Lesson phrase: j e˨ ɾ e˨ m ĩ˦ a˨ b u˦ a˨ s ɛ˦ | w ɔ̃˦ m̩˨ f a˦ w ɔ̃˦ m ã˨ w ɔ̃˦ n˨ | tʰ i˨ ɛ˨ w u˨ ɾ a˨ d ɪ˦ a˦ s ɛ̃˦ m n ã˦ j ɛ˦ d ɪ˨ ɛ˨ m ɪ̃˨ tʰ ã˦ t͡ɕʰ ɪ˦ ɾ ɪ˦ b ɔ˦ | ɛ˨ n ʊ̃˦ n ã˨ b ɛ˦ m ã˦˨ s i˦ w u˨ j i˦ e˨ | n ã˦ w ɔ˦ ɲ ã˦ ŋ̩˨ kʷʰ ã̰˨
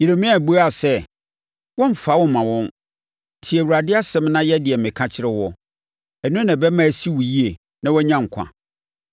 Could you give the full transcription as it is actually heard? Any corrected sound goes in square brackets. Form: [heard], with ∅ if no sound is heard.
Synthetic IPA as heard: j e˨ ɾ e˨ m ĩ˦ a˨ b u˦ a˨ s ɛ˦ | w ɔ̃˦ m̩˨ f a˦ w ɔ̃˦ m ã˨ w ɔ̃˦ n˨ | tʰ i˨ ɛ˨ w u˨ ɾ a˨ d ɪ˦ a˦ s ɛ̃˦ m n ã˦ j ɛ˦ d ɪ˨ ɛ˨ m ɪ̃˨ [kʰ] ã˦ t͡ɕʰ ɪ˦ ɾ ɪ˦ [w] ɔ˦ | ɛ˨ n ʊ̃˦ n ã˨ b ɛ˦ m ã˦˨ s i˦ w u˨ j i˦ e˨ | n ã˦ w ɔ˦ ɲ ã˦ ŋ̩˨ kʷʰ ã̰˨